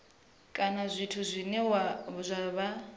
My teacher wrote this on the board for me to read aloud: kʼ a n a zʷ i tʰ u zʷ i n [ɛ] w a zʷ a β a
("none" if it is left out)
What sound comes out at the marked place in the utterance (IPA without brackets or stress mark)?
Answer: ɛ